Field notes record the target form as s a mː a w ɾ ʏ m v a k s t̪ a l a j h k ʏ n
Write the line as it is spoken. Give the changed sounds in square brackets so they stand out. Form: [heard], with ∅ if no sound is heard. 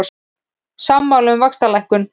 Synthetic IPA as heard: s a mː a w [l] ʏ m v a k s t̪ a l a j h k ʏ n